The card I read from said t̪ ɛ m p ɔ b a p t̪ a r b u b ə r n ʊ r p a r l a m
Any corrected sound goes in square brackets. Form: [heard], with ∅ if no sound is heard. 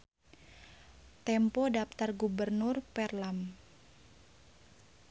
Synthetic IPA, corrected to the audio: t̪ ɛ m p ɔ [d] a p t̪ a r [ɡ] u b ə r n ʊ r p [ɛ] r l a m